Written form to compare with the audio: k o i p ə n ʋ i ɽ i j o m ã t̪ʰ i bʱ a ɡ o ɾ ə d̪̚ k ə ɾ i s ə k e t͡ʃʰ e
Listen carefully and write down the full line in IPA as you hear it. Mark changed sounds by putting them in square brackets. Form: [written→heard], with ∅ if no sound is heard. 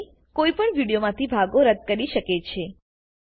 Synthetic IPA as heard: k o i p ə [n→ɳ] ʋ i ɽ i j o m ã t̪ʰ i bʱ a ɡ o ɾ ə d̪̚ k ə ɾ i [s→ʃ] ə k e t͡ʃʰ e